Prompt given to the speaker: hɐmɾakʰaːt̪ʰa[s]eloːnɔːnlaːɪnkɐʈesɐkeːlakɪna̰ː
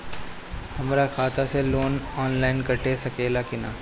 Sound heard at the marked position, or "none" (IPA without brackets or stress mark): s